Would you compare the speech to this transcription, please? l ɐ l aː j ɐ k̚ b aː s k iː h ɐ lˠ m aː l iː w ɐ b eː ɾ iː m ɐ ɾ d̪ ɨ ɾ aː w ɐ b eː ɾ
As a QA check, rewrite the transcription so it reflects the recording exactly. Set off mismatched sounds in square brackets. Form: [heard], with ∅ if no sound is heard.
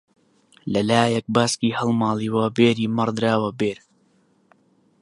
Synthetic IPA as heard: l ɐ l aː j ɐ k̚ b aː s k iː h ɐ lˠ m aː l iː w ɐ b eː ɾ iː m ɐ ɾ d̪ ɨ ɾ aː w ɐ b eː ɾ